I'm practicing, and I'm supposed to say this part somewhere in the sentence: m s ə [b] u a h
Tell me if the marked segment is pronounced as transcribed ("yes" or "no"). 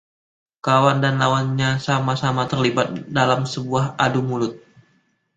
yes